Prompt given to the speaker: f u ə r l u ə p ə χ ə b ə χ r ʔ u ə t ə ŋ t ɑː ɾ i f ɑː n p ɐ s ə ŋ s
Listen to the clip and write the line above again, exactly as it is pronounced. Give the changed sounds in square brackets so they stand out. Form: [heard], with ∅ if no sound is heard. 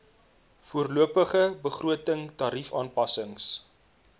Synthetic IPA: f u ə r l u ə p ə χ ə b ə χ r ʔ u ə t ə ŋ t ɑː ɾ i f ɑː n p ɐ s ə ŋ s